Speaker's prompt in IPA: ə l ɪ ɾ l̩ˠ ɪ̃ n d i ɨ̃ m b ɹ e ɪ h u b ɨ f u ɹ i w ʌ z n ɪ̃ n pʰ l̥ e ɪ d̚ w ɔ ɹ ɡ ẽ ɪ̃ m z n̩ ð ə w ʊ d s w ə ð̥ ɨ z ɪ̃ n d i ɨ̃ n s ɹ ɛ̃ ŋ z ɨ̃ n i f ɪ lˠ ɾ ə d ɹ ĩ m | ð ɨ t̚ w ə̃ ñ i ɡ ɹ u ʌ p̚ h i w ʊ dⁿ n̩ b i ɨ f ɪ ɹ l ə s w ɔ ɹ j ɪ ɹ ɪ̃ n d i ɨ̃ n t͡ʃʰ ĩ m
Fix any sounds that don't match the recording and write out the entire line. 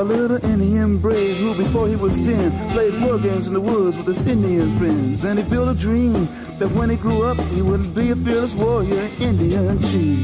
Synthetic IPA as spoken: ə l ɪ ɾ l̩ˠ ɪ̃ n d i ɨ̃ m b ɹ e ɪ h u b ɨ f ɔ ɹ i w ʌ z d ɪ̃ n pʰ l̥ e ɪ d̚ w ɔ ɹ ɡ ẽ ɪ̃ m z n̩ ð ə w ʊ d z w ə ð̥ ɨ z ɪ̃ n d i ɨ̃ n f ɹ ɛ̃ n z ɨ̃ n i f ɪ lˠ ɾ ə d ɹ ĩ m | ð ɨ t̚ w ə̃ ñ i ɡ ɹ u ʌ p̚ h i w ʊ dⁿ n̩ b i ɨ f ɪ ɹ l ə s w ɔ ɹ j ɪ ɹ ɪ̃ n d i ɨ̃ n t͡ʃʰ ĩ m